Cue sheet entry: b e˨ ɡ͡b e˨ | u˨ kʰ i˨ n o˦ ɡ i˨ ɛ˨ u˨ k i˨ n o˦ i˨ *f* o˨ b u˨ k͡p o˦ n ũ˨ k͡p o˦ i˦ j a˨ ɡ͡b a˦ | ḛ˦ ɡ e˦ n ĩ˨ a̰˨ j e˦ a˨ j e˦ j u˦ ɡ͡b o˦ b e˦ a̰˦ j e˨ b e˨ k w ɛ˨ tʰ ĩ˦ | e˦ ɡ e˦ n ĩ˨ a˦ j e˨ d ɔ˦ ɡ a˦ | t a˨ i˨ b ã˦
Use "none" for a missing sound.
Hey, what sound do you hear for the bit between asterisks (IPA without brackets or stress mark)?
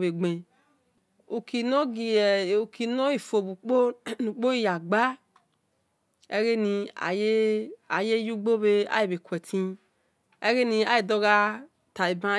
f